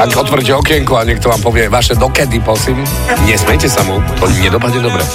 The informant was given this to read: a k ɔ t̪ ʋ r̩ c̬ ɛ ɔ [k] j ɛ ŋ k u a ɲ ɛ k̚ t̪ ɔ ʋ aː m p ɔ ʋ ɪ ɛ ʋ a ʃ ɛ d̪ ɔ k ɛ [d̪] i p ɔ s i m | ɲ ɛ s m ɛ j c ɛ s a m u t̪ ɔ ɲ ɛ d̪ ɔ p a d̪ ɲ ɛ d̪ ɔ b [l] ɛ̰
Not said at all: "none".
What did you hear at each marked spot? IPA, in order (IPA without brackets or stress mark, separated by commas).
k, d̪, ɾ